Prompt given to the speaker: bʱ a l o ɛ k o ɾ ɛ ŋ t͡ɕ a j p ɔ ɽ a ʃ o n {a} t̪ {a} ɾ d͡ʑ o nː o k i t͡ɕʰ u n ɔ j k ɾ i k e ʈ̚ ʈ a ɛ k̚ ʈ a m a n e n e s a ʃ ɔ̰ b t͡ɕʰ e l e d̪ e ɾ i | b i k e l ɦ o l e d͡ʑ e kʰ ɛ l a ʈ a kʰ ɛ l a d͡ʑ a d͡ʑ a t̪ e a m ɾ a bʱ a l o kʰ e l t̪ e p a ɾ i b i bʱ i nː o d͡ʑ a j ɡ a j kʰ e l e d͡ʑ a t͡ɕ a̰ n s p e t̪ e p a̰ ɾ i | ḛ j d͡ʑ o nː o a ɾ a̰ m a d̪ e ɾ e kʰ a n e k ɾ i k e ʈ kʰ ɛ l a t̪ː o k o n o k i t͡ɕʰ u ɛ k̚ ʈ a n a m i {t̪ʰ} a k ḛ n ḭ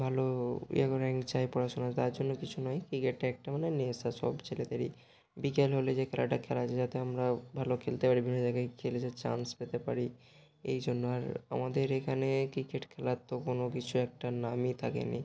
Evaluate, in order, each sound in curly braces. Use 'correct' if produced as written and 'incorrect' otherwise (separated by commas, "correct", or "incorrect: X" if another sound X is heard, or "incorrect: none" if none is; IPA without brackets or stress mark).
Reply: correct, correct, correct